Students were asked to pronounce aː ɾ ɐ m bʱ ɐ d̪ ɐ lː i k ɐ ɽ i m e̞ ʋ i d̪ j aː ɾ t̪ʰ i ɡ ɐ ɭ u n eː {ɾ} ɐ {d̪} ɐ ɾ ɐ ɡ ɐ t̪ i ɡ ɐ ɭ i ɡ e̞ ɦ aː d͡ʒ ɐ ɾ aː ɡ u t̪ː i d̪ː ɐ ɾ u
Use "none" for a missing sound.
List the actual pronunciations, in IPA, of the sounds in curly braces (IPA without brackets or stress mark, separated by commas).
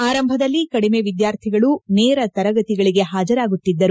ɾ, t̪